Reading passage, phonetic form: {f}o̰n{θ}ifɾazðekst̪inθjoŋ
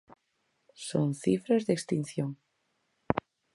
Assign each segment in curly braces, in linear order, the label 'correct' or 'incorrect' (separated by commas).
incorrect, correct